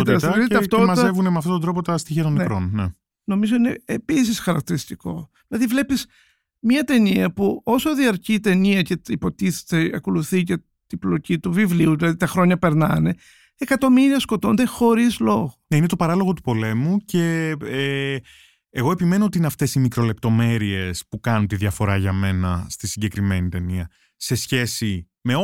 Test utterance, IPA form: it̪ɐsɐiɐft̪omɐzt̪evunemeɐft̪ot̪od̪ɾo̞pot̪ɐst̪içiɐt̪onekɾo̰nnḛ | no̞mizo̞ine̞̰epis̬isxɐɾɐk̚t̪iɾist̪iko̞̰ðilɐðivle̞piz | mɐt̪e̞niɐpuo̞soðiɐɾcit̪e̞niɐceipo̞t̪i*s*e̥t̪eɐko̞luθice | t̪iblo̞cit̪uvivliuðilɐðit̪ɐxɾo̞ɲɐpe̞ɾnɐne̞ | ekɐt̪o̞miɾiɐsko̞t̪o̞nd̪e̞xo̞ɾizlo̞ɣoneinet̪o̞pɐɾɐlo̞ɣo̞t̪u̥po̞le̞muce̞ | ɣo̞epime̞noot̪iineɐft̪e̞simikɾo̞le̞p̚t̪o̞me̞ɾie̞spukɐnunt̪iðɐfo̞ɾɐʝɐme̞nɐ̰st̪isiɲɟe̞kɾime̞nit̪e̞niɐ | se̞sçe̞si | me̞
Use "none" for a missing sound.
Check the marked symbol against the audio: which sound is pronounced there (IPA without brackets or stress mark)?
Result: θ